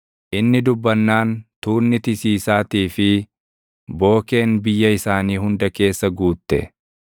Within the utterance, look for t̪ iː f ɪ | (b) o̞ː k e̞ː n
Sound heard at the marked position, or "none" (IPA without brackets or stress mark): b